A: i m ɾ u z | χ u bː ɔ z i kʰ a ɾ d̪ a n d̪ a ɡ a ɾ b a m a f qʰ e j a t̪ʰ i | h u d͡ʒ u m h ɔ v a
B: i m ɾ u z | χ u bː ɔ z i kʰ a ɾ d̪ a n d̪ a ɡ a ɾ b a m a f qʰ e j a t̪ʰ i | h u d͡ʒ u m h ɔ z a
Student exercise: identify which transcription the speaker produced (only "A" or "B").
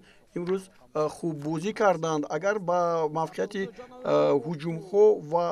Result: A